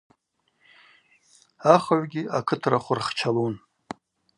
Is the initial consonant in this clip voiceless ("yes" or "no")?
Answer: yes